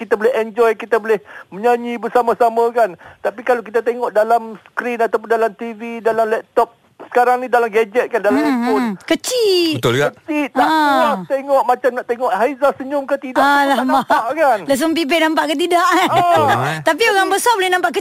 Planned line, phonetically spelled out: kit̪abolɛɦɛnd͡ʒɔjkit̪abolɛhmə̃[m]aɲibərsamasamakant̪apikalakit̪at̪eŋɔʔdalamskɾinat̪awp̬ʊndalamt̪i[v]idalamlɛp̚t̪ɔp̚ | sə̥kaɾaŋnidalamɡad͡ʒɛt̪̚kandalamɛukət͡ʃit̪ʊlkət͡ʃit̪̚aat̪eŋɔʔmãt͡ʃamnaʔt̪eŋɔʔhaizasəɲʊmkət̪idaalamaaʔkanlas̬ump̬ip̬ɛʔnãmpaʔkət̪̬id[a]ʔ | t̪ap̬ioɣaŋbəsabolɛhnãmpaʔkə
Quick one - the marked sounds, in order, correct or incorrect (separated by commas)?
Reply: incorrect, correct, correct